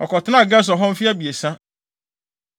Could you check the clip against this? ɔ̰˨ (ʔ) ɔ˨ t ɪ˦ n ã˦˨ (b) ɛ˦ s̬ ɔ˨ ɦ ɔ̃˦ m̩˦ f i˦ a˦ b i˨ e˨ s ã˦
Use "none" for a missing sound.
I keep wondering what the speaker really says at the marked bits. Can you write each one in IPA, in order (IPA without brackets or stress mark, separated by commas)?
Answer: k, ɡ